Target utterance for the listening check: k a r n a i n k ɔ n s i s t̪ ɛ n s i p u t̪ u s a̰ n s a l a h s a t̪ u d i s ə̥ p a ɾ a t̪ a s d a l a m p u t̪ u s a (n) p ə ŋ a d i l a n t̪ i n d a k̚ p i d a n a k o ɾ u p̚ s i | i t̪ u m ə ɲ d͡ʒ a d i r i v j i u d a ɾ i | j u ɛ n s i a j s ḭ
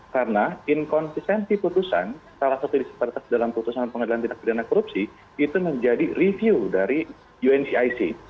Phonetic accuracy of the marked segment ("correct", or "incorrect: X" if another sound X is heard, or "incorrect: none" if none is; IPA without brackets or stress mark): correct